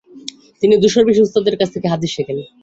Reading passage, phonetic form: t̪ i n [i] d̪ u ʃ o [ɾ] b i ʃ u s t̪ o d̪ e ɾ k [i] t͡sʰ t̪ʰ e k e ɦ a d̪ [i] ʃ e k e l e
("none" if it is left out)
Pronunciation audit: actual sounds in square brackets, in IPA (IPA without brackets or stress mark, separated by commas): i, ɾ, a, i